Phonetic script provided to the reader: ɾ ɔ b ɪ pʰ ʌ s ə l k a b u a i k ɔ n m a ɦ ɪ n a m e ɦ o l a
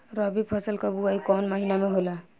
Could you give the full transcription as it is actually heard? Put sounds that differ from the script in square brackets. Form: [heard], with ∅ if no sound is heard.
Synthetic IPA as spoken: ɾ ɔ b [i] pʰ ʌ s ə l k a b u a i k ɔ n m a ɦ [i] n a m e ɦ o l a

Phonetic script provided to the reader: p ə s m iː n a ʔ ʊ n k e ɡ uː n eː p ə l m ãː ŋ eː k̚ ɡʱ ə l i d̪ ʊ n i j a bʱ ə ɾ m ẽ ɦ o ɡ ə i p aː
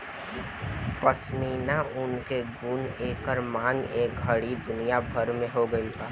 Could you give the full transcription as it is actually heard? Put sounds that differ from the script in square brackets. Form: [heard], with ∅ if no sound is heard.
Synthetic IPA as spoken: p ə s m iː n a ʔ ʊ n k e ɡ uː n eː [k] ə [ɾ] m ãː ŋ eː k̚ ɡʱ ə [ɽ] i d̪ ʊ n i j a bʱ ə ɾ m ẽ ɦ o ɡ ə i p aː

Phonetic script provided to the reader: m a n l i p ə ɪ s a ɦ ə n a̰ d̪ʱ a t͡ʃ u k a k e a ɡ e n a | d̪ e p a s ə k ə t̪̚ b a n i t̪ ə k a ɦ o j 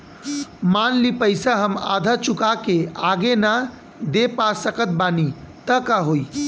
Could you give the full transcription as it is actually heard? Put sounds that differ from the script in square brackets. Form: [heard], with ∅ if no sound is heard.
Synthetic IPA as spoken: m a n l i p ə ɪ s a ɦ ə [m] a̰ d̪ʱ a t͡ʃ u k a k e a ɡ e n a | d̪ e p a s ə k ə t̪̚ b a n i t̪ ə k a ɦ o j

